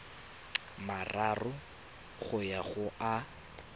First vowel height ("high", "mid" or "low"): low